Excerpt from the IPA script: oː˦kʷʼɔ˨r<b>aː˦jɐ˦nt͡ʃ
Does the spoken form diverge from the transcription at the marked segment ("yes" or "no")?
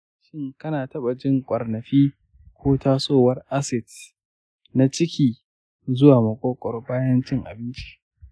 no